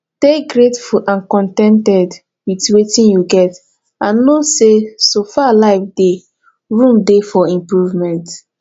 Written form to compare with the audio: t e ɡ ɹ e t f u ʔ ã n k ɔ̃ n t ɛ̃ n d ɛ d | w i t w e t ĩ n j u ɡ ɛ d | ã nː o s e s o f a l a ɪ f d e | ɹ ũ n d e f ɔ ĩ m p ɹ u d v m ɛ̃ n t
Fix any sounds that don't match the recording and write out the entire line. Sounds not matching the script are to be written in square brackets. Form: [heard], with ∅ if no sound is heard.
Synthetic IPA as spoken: t e ɡ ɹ e t f u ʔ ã n k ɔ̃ n t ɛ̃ n [t] ɛ d | w i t w e t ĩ n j u ɡ ɛ [t] | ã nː o s e s o f a l a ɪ f d e | ɹ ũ [m] d e f ɔ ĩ m p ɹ u [∅] v m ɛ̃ n t